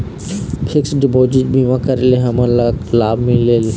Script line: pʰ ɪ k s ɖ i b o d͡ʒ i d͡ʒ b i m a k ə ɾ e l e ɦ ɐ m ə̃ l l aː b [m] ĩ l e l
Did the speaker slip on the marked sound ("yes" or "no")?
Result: no